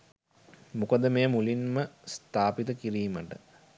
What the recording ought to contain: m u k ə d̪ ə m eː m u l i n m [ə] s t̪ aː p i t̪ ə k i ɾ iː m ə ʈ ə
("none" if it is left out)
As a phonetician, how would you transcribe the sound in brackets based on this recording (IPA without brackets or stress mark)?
ə